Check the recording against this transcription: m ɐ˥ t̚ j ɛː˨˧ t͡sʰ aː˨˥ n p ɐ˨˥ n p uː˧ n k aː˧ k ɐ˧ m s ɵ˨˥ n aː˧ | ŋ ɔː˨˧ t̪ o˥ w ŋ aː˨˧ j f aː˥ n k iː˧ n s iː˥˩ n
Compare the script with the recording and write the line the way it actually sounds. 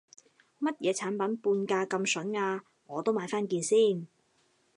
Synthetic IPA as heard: m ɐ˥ t̚ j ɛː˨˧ t͡sʰ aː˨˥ n p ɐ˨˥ n p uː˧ n k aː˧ k ɐ˧ m s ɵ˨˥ n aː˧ | ŋ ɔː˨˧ t̪ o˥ w m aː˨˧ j f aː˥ n k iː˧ n s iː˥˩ n